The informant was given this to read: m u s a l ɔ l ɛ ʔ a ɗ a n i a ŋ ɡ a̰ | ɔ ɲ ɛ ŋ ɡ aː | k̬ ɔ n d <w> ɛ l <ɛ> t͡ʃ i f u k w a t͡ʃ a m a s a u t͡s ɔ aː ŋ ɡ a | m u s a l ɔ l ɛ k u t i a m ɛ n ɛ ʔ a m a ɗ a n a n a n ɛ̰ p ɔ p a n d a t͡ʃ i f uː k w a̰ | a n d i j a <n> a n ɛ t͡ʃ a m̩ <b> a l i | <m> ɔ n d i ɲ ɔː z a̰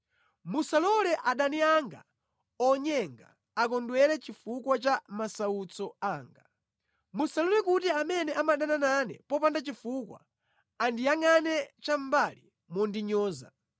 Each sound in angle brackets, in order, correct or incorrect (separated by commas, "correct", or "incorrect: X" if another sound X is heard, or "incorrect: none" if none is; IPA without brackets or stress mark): correct, correct, incorrect: ŋ, correct, correct